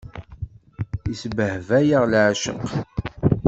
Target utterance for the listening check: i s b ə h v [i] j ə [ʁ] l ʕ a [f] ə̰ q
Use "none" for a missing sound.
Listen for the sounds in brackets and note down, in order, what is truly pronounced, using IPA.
æ, ʁ, ʃ

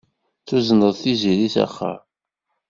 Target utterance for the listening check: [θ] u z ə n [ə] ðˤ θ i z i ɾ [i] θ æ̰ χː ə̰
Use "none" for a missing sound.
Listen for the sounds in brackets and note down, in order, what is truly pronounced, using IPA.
θ, ə, i

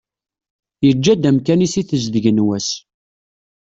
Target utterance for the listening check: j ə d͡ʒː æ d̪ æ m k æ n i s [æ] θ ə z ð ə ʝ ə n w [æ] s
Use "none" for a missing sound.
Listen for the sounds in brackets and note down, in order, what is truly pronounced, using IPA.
i, æ

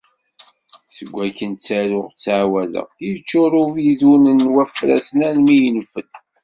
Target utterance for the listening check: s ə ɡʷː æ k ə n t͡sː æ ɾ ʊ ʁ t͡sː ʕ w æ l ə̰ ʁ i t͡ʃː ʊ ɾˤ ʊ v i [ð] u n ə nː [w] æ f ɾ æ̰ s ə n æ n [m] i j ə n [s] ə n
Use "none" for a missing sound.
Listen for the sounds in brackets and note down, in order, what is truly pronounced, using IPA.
ð, w, m, f

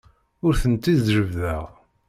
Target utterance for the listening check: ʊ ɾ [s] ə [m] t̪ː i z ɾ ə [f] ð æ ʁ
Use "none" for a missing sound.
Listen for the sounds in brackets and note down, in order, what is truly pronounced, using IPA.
θ, n, v

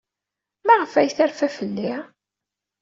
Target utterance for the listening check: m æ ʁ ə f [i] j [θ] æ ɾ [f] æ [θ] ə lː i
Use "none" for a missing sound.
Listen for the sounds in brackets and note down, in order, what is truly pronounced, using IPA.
æ, θ, f, f

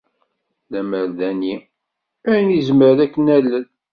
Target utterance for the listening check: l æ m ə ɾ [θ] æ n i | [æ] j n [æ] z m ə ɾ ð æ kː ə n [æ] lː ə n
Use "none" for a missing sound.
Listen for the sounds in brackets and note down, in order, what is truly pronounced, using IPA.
ð, æ, i, æ

